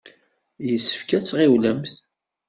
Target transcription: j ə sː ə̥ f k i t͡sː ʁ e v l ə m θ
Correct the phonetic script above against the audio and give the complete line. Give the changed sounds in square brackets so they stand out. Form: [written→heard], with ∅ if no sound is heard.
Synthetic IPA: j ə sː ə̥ f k [i→æ] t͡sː ʁ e [v→w] l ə m θ